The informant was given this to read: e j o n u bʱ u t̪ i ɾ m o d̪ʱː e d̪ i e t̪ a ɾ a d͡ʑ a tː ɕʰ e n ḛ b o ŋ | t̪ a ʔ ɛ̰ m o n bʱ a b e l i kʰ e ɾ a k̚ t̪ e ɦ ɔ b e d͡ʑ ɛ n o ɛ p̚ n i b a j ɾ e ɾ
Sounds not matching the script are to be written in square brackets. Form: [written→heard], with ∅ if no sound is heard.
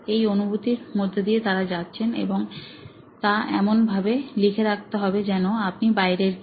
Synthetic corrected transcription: e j o n u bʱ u t̪ i ɾ m o d̪ʱː e d̪ i e t̪ a ɾ a d͡ʑ a tː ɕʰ e n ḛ b o ŋ | t̪ a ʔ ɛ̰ m o n bʱ a b e l i kʰ e ɾ a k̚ t̪ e ɦ ɔ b e d͡ʑ ɛ n o [ɛ→a] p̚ n i b a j ɾ e ɾ

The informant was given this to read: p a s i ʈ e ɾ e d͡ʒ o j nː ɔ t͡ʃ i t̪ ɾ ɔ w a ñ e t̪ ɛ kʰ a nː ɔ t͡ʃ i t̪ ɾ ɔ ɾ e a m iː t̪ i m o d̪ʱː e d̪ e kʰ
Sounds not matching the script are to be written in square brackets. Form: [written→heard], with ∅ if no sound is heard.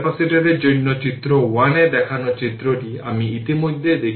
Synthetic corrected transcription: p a s i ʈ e ɾ e d͡ʒ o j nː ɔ t͡ʃ i t̪ ɾ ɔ w a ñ e [t̪→d̪] ɛ kʰ a [nː→n] ɔ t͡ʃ i t̪ ɾ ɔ ɾ [e→i] a m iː t̪ i m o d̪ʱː e d̪ e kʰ

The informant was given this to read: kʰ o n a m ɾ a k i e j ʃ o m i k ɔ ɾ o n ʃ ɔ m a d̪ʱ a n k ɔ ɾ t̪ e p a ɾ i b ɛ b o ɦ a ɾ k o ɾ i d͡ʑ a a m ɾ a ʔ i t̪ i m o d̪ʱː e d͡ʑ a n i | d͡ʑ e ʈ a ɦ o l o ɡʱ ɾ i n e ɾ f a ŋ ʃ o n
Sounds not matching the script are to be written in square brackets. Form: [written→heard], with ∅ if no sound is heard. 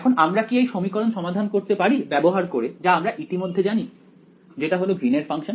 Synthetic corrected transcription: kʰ o n a m ɾ a k i e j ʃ o m i k ɔ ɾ o n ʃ ɔ m a d̪ʱ a n k [ɔ→o] ɾ t̪ e p a ɾ i b ɛ b o ɦ a ɾ k o ɾ [i→e] d͡ʑ a a m ɾ a ʔ i t̪ i m o d̪ʱː e d͡ʑ a n i | d͡ʑ e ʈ a ɦ o l o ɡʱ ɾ i n e ɾ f a ŋ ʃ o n

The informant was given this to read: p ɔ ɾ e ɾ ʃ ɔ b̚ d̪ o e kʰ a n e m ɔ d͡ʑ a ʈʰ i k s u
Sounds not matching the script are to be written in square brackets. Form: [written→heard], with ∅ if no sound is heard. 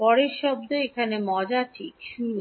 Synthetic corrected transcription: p ɔ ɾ e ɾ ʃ ɔ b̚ d̪ o e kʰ a n e m ɔ d͡ʑ a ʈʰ i k [s→ʃ] u

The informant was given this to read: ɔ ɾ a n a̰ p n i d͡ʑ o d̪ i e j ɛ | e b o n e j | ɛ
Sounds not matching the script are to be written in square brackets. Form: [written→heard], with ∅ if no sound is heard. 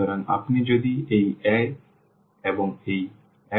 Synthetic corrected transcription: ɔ ɾ a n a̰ p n i d͡ʑ o d̪ i e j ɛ | e b o [n→ŋ] e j | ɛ

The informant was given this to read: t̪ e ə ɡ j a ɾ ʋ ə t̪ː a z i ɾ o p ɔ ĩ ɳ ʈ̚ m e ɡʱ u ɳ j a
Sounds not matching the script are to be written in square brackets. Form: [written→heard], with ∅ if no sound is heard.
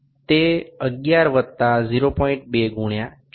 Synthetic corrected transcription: t̪ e ə ɡ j a ɾ ʋ ə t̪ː a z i ɾ o p ɔ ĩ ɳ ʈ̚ [m→b] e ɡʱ u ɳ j a

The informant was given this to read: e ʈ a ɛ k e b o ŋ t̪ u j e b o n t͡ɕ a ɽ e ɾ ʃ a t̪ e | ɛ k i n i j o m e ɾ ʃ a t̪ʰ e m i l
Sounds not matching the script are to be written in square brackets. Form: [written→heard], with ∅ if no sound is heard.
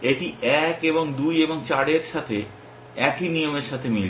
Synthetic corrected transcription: e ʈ [a→i] ɛ k e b o ŋ [t̪→d̪] u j e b o [n→ŋ] t͡ɕ a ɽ e ɾ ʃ a [t̪→t̪ʰ] e | ɛ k i n i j o m e ɾ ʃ a t̪ʰ e m i l

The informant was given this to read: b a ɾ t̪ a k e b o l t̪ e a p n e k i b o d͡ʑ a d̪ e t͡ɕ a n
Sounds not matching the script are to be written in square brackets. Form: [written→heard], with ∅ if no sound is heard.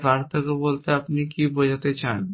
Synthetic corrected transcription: b a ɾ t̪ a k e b o l t̪ e a p n [e→i] k i b o d͡ʑ a [d̪→t̪] e t͡ɕ a n

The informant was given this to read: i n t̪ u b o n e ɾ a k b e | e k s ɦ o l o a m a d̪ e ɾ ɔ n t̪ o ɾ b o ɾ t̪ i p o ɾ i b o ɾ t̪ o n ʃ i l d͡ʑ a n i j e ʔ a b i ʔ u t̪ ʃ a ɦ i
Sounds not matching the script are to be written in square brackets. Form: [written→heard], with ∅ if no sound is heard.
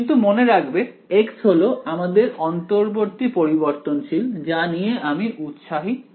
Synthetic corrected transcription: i n t̪ u [b→m] o n e ɾ a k b e | e k s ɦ o l o a m a d̪ e ɾ ɔ n t̪ o ɾ b o ɾ t̪ i p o ɾ i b o ɾ t̪ o n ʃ i l d͡ʑ a n i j e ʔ a [b→m] i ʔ u t̪ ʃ a ɦ i

